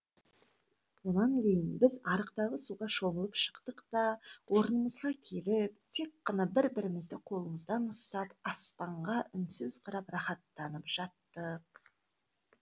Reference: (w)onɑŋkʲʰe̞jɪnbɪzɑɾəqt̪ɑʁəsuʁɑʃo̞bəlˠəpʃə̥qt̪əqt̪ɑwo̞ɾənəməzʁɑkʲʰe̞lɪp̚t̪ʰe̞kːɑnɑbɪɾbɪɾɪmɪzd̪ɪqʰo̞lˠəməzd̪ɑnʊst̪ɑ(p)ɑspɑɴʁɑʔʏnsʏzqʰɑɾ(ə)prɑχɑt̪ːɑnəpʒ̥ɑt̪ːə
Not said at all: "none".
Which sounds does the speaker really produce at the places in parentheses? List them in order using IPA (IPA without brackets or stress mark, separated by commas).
w, p, ɑ